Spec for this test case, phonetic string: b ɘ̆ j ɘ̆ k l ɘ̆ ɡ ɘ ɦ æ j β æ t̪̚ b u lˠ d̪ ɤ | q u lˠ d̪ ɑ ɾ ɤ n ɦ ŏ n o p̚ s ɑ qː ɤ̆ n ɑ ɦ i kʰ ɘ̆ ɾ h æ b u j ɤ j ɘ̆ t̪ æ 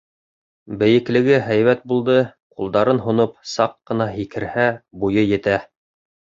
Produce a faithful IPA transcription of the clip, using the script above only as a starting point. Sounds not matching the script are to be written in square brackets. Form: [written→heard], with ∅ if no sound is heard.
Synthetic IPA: b ɘ̆ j ɘ̆ k l ɘ̆ ɡ ɘ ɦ æ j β æ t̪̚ b u lˠ d̪ ɤ | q u lˠ d̪ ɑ ɾ ɤ n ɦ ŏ n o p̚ s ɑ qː ɤ̆ n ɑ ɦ i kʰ ɘ̆ ɾ h æ b u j ɤ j ɘ̆ t̪ æ

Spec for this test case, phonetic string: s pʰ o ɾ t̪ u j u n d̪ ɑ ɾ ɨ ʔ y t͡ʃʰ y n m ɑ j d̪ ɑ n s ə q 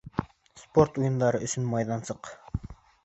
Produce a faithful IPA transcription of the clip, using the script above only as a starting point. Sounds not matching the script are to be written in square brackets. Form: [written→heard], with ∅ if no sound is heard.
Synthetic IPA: s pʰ o ɾ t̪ u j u n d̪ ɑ ɾ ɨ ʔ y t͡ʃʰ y n m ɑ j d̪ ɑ n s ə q

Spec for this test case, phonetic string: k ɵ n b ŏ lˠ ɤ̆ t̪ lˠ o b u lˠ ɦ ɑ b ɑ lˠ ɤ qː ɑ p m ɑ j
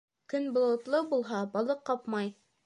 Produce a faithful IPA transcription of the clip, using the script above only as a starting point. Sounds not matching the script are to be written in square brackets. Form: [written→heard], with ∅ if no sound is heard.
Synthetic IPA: k ɵ n b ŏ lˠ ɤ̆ t̪ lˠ [o→ɤ] b u lˠ ɦ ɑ b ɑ lˠ ɤ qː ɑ p m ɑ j

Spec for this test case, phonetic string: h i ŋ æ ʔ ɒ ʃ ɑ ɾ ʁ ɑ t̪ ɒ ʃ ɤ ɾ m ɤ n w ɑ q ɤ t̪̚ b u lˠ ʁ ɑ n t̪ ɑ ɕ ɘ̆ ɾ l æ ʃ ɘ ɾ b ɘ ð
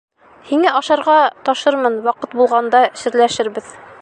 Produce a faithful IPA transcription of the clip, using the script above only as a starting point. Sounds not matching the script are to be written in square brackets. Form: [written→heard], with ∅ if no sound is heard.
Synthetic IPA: h i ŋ æ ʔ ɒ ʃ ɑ ɾ ʁ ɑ t̪ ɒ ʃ ɤ ɾ m ɤ n w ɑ q ɤ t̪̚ b u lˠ ʁ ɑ n [t̪→d̪] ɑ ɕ ɘ̆ ɾ l æ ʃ ɘ ɾ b ɘ ð

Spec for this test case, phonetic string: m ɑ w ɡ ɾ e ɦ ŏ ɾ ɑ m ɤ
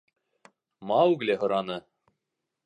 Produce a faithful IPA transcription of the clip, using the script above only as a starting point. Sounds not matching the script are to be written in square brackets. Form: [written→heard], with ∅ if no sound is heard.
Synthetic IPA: m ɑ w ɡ [ɾ→l] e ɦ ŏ ɾ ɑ [m→n] ɤ

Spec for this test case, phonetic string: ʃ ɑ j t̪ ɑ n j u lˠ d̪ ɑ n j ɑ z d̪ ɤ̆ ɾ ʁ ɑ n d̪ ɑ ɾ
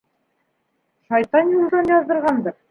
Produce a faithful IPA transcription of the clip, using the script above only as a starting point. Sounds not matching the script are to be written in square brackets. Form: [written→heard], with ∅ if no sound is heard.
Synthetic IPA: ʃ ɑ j t̪ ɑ n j u lˠ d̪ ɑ n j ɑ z d̪ ɤ̆ ɾ ʁ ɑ n d̪ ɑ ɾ

